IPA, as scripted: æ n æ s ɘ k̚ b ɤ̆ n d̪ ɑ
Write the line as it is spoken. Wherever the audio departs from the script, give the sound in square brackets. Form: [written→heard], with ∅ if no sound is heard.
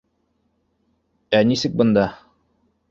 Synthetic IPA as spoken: æ n [æ→i] s ɘ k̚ b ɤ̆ n d̪ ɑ